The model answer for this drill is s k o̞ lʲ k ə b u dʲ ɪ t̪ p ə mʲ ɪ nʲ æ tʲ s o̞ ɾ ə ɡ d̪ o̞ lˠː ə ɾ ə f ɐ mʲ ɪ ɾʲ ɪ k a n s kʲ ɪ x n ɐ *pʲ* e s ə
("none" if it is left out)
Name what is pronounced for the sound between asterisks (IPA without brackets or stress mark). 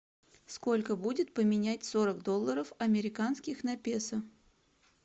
pʲ